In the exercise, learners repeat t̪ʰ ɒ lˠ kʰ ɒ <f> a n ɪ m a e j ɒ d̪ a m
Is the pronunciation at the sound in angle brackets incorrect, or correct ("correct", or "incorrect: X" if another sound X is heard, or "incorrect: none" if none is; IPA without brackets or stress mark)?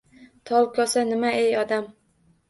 incorrect: s